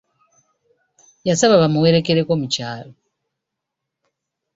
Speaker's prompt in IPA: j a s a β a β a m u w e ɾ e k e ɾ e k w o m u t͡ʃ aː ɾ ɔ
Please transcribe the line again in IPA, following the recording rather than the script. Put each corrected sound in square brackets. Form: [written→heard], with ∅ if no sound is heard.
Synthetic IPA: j a s a β a β a m u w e ɾ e k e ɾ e k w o m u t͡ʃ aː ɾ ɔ